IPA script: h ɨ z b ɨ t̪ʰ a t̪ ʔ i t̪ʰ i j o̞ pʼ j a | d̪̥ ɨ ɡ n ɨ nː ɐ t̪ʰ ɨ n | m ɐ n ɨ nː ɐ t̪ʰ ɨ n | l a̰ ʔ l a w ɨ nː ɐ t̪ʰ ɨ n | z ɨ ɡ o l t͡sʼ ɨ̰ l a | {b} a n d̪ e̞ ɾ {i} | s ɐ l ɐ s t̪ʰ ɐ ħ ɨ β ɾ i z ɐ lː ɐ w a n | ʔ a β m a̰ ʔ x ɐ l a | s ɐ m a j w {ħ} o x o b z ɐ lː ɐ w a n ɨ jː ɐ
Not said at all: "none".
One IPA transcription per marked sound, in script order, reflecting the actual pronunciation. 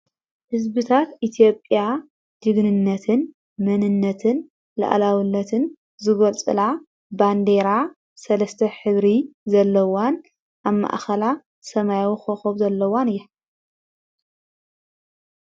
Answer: b, a, x

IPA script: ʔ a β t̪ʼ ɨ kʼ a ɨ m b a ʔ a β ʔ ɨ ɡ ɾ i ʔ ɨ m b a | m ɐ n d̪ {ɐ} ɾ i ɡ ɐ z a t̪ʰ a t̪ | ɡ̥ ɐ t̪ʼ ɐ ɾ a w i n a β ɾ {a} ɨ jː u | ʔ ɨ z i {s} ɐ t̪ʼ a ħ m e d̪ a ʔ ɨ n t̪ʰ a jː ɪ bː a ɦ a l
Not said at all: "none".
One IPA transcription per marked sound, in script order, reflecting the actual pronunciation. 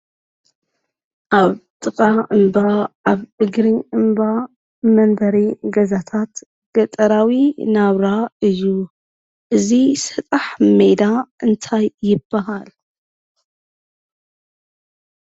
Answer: ɐ, a, s

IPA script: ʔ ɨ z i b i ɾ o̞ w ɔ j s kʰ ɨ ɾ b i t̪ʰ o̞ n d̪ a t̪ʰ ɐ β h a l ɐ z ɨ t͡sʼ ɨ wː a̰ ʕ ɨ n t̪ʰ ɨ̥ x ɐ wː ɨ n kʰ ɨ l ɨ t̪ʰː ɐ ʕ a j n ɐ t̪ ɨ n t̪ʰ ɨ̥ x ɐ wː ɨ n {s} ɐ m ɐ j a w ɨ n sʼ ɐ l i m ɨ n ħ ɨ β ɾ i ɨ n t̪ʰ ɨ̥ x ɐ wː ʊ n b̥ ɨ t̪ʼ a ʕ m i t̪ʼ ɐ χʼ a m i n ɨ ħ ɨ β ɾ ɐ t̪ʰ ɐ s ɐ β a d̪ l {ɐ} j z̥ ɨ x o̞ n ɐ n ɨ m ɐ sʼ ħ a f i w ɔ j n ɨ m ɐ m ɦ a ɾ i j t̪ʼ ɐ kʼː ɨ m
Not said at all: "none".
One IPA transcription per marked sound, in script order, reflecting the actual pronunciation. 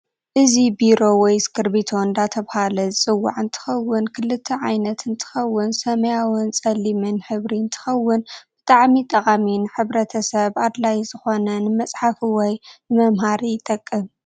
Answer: s, a

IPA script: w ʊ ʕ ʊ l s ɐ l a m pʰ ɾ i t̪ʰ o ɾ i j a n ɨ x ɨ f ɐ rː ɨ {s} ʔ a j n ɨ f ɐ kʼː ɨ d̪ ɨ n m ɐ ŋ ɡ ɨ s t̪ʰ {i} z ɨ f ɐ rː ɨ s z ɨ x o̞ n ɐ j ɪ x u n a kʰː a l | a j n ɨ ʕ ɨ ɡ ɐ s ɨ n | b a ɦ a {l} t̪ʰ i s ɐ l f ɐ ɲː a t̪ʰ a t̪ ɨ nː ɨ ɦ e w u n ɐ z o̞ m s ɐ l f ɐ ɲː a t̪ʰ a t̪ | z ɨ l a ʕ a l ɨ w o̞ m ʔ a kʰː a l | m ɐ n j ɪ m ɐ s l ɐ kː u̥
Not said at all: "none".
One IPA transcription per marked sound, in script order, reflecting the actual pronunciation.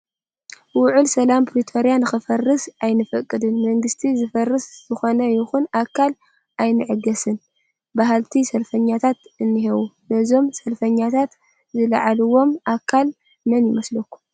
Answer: s, i, l

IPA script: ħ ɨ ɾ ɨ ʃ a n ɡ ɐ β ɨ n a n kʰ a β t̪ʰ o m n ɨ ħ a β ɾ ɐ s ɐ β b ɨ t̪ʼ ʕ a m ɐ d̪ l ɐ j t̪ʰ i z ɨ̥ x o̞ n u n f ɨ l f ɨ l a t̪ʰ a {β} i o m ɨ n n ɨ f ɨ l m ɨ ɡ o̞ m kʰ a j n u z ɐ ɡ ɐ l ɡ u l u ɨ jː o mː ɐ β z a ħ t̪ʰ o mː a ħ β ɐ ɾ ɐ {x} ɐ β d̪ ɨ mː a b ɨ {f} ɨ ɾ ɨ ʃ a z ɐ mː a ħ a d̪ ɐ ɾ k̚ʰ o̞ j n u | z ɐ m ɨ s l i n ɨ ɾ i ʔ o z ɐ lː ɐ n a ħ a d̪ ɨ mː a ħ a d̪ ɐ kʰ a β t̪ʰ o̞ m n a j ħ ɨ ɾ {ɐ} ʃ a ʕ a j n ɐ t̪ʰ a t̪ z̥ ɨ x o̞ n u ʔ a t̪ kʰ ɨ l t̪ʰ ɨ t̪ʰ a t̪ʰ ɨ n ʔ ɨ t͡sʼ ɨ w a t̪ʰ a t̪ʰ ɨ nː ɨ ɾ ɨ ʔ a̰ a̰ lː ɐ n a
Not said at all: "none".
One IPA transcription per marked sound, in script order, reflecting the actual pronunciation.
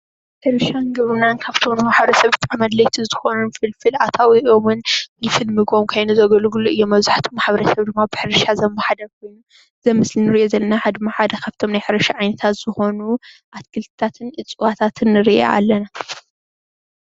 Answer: w, s, ħ, ɐ

